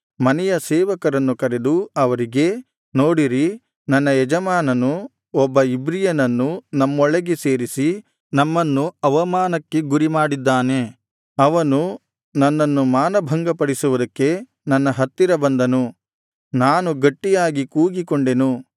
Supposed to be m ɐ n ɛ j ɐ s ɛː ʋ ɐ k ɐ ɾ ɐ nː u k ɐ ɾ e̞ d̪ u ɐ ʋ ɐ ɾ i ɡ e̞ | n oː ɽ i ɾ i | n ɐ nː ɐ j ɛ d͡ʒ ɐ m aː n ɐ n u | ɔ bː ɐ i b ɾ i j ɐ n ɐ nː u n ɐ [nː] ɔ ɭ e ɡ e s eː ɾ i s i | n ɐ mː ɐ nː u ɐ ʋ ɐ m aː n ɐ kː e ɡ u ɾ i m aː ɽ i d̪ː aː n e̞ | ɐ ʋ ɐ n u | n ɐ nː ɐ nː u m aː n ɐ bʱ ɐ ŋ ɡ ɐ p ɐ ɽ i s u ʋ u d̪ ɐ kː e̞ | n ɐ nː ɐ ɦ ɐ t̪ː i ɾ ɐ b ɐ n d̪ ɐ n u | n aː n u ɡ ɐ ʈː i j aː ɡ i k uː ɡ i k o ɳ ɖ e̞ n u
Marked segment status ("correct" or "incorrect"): incorrect